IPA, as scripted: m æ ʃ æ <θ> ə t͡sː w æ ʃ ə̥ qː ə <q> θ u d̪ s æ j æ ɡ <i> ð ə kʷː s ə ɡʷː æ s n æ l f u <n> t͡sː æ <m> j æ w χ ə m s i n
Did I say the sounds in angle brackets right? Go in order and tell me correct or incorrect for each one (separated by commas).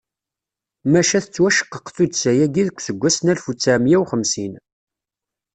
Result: correct, correct, correct, incorrect, correct